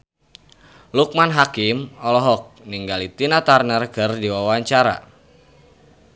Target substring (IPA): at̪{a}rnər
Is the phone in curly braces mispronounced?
no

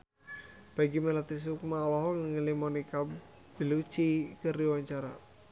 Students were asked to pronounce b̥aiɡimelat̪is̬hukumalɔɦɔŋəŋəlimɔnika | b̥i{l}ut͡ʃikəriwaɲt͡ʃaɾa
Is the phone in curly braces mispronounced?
no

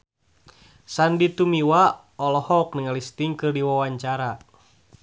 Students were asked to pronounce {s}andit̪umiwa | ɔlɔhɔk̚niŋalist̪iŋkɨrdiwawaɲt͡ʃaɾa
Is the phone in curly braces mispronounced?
no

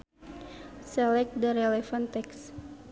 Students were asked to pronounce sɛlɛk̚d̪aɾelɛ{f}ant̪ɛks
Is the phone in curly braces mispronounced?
no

